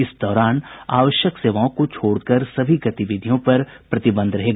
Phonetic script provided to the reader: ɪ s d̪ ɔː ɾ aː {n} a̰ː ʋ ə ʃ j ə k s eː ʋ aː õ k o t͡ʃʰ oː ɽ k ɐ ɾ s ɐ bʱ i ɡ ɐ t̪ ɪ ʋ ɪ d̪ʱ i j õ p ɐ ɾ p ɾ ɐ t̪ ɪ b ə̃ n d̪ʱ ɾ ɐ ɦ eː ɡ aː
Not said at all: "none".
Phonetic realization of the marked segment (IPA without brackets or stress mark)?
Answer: n